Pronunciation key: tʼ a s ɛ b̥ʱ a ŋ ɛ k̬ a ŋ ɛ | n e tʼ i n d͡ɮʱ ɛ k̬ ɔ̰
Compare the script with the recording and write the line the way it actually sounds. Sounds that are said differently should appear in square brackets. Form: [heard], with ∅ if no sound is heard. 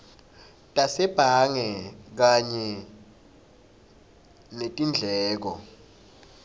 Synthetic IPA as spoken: tʼ a s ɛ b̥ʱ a ŋ ɛ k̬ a [ɲ] ɛ | n e tʼ i n d͡ɮʱ [ɛː] k̬ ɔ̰